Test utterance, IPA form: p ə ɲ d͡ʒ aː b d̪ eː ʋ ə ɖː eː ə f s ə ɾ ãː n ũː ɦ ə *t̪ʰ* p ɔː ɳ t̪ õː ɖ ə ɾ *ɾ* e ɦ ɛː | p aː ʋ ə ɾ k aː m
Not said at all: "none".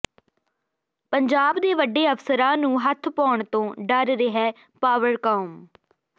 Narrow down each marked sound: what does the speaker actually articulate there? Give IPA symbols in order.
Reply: t̪ʰ, ɾ

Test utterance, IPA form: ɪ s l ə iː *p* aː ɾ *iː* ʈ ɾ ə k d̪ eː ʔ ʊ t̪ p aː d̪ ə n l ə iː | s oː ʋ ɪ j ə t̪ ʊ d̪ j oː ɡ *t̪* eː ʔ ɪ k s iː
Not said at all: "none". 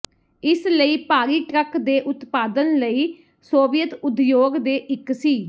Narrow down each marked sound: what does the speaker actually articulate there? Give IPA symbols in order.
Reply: p, iː, d̪

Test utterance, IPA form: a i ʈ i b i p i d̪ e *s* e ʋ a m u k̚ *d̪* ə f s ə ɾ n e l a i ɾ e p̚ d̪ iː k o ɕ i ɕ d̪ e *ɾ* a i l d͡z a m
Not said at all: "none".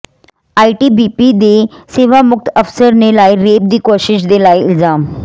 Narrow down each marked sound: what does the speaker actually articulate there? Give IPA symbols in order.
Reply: s, t̪, l

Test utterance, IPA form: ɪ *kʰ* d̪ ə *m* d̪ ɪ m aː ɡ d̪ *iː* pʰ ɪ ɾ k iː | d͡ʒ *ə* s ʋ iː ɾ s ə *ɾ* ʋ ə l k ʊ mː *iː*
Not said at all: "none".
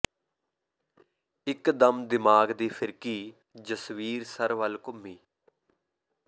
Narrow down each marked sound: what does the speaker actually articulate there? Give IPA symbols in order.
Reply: k, m, iː, ə, ɾ, iː

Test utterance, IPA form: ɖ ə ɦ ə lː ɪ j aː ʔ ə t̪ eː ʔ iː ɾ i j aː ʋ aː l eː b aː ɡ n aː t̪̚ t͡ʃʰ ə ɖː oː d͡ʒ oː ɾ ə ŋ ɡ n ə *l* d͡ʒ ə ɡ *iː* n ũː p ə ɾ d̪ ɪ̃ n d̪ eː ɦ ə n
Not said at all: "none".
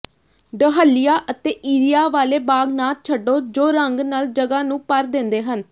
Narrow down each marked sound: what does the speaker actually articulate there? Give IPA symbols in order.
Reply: l, aː

